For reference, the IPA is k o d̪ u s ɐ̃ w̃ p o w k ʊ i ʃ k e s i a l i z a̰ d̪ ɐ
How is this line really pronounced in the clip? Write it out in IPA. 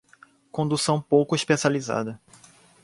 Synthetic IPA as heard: k õ d̪ u s ɐ̃ w̃ p o w k ʊ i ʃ p e s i a l i z a̰ d̪ ɐ